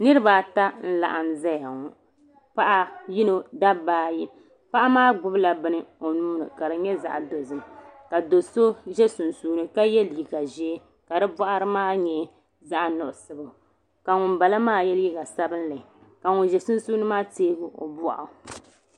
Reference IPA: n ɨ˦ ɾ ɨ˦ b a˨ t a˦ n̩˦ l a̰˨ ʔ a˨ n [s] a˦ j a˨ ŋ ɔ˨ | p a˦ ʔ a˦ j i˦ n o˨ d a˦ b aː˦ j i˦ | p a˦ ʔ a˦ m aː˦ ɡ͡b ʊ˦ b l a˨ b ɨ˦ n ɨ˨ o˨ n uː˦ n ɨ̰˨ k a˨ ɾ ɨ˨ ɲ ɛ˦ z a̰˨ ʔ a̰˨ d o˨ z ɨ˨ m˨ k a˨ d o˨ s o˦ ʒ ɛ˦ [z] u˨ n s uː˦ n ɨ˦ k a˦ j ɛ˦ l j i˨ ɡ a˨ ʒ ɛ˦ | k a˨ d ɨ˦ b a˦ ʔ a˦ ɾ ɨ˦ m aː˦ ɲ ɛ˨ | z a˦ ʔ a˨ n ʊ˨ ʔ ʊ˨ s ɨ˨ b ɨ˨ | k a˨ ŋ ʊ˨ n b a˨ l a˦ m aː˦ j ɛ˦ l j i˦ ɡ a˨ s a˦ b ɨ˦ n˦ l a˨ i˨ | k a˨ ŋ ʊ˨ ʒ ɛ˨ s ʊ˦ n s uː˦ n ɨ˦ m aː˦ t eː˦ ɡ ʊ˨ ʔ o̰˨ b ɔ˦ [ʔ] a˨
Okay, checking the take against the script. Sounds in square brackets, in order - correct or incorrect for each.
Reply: incorrect: z, incorrect: s, correct

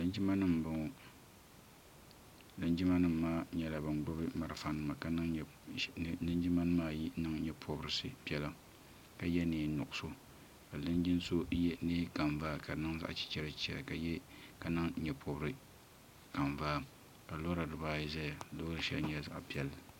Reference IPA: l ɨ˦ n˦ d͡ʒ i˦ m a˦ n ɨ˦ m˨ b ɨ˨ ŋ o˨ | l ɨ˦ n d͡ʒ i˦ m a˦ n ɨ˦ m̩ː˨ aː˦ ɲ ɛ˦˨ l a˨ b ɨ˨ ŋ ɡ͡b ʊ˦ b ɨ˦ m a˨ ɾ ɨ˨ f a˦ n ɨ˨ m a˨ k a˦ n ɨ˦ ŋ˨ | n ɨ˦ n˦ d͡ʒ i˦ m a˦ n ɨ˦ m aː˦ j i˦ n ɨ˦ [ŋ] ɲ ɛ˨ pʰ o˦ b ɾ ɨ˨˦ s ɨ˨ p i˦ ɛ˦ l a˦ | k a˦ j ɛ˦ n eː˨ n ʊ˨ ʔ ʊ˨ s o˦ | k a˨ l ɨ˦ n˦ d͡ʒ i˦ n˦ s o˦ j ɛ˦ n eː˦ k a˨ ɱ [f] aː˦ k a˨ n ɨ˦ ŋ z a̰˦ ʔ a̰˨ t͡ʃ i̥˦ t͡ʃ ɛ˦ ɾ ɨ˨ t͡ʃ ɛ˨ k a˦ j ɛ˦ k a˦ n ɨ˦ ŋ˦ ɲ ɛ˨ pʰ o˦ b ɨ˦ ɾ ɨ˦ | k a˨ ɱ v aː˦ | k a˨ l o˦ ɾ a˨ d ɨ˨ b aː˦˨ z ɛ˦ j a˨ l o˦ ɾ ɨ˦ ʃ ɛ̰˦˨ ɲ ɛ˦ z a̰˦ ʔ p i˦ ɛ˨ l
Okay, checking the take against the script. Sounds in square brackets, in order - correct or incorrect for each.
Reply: correct, incorrect: v

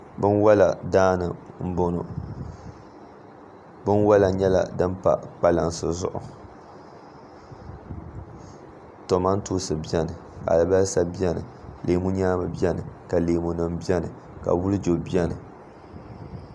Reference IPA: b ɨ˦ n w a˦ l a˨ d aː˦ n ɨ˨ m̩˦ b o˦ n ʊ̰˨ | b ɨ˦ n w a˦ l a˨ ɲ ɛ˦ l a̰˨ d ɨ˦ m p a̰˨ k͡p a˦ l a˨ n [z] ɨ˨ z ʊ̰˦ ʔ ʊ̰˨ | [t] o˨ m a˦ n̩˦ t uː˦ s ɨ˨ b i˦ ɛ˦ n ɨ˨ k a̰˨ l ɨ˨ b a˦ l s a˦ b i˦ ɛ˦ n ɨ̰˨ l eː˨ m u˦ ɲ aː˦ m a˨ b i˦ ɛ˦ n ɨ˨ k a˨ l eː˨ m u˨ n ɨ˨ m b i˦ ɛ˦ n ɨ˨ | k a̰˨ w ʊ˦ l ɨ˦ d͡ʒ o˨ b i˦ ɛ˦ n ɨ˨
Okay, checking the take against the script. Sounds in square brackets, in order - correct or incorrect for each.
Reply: incorrect: s, correct

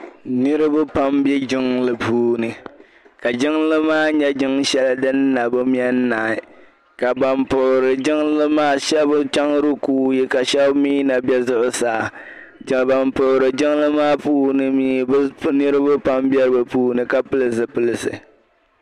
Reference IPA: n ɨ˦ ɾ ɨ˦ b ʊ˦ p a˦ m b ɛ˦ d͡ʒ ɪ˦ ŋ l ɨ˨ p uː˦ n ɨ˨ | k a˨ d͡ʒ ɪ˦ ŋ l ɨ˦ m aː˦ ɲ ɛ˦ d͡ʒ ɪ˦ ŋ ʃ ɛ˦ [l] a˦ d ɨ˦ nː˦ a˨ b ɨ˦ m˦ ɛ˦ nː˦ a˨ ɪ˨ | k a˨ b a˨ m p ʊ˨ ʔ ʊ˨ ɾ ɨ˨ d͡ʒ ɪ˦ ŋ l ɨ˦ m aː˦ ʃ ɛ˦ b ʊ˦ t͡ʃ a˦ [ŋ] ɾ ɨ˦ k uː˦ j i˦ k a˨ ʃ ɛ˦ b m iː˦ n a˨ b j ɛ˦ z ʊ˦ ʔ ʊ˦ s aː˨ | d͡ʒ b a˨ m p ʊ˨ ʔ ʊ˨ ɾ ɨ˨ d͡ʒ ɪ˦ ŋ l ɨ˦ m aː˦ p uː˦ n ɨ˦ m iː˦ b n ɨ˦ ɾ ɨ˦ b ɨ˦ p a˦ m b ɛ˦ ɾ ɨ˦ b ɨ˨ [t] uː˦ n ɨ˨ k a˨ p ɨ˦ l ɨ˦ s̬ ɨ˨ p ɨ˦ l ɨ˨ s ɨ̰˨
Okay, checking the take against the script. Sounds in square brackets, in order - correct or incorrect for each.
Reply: correct, correct, incorrect: p

